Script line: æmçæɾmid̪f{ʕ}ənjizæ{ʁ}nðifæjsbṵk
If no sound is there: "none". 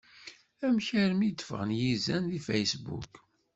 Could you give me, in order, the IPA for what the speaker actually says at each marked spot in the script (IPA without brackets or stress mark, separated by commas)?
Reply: ʁ, none